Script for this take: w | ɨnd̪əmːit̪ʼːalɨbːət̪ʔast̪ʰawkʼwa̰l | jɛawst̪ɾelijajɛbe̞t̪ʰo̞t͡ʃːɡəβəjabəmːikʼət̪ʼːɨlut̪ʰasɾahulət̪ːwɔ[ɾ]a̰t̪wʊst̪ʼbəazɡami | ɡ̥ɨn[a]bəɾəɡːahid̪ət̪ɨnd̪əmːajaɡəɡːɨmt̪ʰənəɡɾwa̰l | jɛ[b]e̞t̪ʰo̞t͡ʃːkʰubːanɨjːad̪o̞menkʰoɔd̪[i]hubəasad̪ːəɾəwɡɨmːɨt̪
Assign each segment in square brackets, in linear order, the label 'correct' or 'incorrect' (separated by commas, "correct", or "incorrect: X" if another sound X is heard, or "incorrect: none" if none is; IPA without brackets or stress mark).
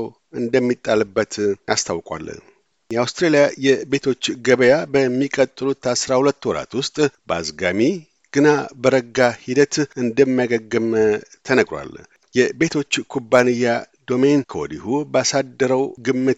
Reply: correct, correct, correct, correct